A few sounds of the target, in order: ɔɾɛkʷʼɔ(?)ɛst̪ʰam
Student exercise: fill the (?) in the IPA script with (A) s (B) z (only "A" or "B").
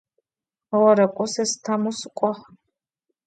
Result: A